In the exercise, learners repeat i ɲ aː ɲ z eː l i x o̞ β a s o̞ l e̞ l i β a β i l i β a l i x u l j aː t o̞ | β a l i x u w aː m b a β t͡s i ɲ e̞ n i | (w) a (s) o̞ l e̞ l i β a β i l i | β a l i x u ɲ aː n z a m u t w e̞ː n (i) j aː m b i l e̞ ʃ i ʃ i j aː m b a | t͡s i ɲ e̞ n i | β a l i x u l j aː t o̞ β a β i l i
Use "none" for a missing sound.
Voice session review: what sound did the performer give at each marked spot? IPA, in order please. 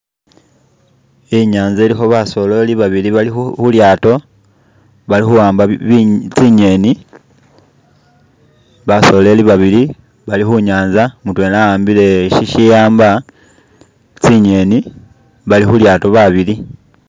β, s, a

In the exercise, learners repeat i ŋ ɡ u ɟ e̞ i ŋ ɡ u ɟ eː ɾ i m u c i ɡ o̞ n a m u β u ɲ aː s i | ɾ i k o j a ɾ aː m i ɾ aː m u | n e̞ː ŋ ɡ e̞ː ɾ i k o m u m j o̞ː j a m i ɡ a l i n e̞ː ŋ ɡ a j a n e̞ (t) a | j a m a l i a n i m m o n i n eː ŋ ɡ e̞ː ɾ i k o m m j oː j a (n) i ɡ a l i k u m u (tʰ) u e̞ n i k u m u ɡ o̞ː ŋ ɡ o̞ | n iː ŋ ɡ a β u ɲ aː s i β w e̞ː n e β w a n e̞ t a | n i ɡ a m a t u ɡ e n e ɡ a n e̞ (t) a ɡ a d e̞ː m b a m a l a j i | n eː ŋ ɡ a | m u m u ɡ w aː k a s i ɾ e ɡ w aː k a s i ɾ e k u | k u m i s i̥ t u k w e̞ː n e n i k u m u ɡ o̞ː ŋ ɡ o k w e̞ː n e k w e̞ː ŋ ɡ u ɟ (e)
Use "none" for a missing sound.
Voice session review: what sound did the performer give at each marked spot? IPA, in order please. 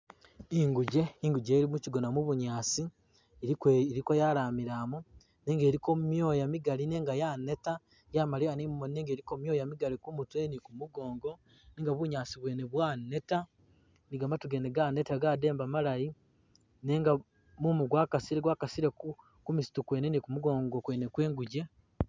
t, m, t, t, e

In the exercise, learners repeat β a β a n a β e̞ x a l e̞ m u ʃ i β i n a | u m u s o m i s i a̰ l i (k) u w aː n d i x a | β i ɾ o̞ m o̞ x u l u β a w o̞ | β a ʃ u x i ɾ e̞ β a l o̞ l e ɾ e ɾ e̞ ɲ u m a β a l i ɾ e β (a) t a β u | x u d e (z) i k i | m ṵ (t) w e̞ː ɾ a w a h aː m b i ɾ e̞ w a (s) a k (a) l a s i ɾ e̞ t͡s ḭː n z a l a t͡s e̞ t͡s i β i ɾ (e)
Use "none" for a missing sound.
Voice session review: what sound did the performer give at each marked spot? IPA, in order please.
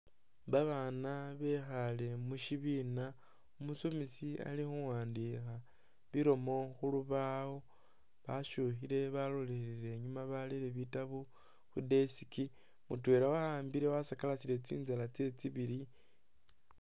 x, i, s, t, s, a, i

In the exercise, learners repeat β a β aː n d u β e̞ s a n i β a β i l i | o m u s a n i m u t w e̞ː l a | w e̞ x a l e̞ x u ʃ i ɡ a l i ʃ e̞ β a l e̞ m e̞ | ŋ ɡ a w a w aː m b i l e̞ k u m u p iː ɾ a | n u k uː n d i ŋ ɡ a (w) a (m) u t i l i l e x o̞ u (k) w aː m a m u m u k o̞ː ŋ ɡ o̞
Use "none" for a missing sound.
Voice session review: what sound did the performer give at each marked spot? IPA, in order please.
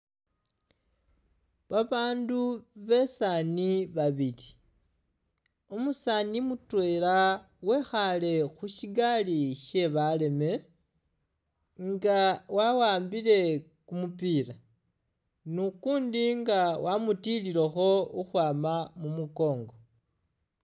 w, m, x

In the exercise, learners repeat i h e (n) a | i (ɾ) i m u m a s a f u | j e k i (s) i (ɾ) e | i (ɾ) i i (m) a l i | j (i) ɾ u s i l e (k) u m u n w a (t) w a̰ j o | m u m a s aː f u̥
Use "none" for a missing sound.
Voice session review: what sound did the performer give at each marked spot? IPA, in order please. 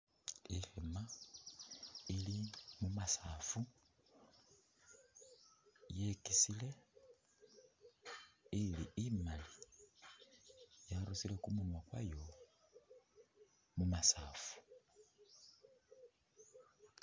m, l, s, l, l, m, a, k, k

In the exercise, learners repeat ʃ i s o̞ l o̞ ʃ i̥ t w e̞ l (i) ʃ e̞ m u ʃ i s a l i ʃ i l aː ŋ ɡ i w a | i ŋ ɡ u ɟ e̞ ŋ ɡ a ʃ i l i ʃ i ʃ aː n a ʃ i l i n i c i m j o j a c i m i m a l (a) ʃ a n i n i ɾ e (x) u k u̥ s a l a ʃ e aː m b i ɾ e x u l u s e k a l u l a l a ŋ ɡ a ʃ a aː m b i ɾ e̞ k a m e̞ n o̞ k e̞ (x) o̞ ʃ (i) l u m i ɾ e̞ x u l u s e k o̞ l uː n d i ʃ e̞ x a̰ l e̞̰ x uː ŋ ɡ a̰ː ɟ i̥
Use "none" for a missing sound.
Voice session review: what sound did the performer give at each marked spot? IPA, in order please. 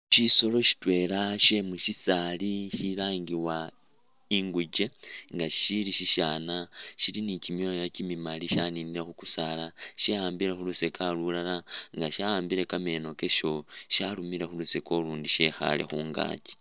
a, i, x, ʃ, a

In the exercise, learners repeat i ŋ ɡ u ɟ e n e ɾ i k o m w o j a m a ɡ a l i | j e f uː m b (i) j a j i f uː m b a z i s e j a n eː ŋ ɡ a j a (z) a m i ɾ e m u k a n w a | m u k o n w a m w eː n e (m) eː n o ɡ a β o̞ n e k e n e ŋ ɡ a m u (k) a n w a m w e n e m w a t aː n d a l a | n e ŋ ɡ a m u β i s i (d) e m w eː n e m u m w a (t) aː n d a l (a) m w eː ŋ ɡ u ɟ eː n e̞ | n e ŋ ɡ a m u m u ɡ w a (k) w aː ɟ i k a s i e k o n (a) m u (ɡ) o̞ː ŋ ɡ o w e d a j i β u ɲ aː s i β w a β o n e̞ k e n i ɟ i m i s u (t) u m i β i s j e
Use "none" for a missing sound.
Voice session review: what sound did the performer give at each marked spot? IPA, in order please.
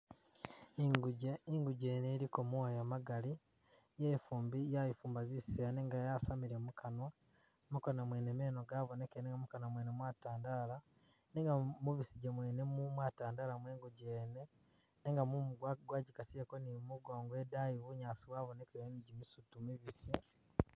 i, s, m, k, ɟ, t, a, ɡ, i, ɡ, t

